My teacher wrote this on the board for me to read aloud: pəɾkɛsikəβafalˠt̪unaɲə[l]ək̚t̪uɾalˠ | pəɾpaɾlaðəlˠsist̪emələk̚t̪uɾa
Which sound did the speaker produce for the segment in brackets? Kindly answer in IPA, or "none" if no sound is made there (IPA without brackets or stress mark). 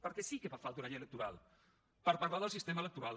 l